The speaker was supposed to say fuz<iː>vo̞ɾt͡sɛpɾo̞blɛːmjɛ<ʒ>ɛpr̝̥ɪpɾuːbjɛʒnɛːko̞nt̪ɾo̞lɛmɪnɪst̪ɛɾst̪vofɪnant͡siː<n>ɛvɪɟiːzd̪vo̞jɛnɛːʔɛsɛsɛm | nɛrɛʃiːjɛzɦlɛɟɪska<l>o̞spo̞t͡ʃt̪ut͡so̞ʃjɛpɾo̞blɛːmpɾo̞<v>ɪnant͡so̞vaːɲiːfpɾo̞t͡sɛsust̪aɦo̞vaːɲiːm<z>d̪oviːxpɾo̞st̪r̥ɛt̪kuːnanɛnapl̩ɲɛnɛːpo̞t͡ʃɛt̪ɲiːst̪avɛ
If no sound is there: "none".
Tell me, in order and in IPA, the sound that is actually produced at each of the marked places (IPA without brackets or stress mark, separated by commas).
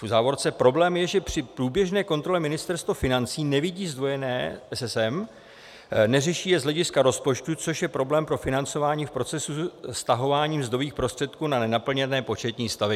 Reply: aː, ʒ, n, ɾ, f, z